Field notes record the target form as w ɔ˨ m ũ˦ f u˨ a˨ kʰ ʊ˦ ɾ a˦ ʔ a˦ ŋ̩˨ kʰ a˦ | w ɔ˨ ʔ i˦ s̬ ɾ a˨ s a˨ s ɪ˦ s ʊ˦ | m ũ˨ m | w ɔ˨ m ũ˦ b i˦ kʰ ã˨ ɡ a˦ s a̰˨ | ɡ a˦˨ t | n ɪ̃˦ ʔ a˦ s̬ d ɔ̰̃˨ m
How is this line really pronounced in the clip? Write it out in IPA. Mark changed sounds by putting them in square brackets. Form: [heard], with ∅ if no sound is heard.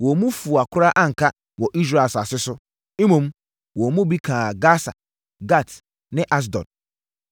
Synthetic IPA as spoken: w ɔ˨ m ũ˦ f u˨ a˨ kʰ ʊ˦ ɾ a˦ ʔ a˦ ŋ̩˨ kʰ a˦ | w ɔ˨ ʔ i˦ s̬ ɾ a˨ s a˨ s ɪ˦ s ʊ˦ | m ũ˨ m | w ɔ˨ m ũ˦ b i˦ kʰ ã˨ ɡ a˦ s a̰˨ | ɡ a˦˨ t | n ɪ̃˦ ʔ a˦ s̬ d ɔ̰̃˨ [n]